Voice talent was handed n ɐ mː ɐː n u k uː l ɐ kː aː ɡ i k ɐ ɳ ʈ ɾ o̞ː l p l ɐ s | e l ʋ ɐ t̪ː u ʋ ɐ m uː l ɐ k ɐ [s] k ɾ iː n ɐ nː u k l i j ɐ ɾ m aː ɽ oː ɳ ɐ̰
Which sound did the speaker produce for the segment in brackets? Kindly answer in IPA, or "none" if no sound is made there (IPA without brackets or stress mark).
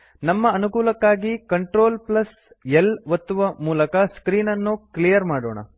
s